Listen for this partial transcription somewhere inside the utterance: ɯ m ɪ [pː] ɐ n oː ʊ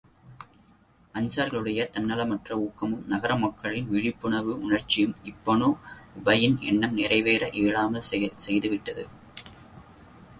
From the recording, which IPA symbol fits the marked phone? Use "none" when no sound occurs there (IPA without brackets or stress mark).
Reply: pː